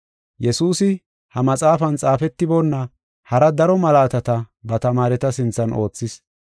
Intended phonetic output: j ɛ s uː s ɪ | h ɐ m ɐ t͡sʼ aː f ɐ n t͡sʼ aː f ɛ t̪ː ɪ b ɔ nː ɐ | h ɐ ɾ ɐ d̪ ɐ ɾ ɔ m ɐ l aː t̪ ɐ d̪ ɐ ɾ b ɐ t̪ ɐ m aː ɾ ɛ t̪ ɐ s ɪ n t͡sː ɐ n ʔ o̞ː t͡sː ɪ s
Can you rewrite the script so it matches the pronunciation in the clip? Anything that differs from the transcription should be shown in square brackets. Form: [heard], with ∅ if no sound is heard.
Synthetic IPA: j ɛ s uː s ɪ | h ɐ m ɐ t͡sʼ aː f ɐ n t͡sʼ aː f ɛ t̪ː ɪ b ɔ nː ɐ | h ɐ ɾ ɐ d̪ ɐ ɾ ɔ m ɐ l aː t̪ ɐ [t̪] ɐ [∅] b ɐ t̪ ɐ m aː ɾ ɛ t̪ ɐ s ɪ n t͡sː ɐ n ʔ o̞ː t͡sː ɪ s